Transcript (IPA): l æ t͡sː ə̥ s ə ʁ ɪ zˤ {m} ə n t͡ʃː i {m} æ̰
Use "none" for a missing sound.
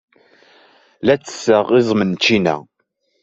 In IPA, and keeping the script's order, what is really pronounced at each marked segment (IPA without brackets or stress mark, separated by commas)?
m, n